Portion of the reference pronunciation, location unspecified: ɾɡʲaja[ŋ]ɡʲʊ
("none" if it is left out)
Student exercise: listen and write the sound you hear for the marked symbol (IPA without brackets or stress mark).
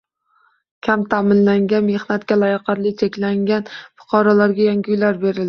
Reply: ŋ